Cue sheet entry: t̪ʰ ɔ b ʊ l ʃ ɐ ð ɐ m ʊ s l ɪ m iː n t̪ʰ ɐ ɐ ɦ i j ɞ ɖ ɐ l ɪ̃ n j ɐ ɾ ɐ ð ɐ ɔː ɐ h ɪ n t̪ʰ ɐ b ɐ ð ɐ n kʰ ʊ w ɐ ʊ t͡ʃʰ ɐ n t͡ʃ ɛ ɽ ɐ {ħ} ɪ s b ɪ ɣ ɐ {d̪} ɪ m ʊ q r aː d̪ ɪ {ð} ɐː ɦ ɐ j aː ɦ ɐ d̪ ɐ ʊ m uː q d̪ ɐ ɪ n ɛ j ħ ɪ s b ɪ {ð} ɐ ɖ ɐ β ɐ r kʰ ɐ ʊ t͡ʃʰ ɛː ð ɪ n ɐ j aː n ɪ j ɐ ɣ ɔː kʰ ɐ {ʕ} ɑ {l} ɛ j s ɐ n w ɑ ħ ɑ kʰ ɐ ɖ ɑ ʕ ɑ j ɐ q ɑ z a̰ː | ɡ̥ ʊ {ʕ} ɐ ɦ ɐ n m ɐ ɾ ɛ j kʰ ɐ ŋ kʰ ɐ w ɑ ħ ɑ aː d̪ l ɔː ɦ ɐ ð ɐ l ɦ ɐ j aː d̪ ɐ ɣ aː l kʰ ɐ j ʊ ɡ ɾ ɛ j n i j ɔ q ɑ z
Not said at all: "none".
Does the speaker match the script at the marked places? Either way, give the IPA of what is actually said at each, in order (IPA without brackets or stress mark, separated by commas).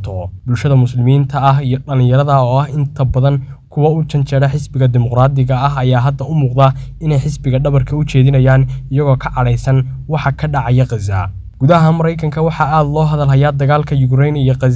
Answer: ħ, d̪, ɣ, ɣ, ʕ, ɽ, ð